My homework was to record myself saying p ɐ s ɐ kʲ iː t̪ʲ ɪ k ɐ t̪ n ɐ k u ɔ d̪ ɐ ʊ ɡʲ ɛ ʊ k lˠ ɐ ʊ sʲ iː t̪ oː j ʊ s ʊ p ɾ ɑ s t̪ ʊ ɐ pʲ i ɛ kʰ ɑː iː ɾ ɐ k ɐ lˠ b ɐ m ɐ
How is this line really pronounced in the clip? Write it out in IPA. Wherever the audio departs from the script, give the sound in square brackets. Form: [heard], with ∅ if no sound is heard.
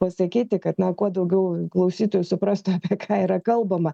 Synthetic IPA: p ɐ s ɐ kʲ iː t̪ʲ ɪ k ɐ t̪ n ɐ k u ɔ d̪ ɐ ʊ ɡʲ ɛ ʊ k lˠ ɐ ʊ sʲ iː t̪ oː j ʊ s ʊ p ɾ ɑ s t̪ ʊ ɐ pʲ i ɛ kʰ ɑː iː ɾ ɐ k ɐ lˠ b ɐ m ɐ